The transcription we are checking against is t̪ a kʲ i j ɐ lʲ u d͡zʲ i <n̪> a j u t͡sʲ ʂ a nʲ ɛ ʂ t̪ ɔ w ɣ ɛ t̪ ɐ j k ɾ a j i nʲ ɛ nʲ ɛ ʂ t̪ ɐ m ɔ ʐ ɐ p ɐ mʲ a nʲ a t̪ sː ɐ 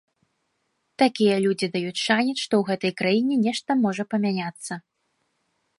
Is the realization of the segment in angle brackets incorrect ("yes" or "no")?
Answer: yes